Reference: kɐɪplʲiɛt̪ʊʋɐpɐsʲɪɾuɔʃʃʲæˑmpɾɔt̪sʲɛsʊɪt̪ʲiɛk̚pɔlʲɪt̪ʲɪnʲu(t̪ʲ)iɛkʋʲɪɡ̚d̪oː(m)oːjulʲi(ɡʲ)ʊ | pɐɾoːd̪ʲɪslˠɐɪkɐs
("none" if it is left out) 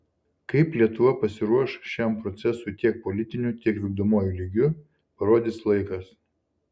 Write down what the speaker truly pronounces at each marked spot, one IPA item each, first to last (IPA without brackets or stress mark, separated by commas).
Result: t̪ʲ, m, ɡʲ